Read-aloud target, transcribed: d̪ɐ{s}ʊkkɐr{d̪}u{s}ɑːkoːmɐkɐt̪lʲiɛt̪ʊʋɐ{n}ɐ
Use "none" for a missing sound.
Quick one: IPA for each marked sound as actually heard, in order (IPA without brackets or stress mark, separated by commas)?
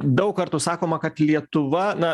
none, t̪, s, n